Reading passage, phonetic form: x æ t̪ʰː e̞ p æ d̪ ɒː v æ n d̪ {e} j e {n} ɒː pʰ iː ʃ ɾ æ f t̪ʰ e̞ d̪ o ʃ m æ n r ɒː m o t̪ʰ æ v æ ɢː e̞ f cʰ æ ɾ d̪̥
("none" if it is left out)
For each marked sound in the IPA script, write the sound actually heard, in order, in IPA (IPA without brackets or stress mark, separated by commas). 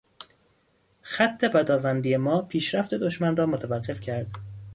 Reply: i, m